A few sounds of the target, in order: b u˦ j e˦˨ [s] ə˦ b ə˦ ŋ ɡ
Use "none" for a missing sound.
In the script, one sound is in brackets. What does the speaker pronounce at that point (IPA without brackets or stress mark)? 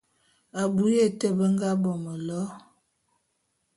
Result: t